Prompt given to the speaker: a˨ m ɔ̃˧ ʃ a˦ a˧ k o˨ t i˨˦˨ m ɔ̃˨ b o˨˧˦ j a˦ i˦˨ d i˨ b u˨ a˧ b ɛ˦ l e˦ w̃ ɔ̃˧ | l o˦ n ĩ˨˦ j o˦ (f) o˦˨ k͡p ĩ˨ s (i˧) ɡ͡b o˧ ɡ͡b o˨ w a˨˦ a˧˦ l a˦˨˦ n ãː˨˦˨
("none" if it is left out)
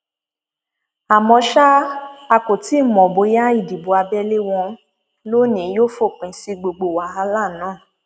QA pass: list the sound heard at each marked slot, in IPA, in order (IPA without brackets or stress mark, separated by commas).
f, i˧